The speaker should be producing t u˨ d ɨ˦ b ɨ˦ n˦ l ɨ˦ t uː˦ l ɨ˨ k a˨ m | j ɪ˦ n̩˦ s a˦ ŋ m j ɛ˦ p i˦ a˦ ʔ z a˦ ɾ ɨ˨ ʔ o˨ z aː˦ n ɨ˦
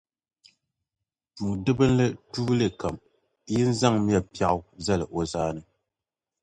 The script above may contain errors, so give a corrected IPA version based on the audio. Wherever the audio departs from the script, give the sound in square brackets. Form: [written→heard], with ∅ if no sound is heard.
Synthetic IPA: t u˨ d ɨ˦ b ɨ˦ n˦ l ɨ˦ t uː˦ l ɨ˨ k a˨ m | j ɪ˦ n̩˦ [s→z] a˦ ŋ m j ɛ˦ p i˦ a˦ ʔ z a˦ [ɾ→l] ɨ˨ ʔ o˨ z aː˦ n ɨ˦